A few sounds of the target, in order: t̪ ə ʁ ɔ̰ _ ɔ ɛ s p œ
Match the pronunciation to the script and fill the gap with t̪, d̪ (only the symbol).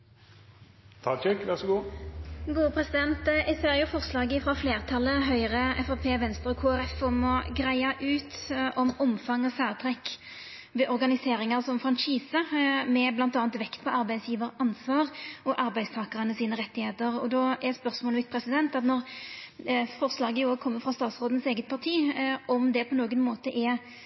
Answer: d̪